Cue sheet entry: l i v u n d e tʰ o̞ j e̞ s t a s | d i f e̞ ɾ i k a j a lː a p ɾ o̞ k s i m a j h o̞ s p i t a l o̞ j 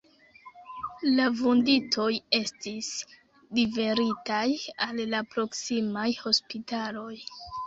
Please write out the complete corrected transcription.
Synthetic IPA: l a v u n d i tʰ o̞ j e̞ s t i s | d i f e̞ ɾ i t a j a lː a p ɾ o̞ k s i m a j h o̞ s p i t a l o̞ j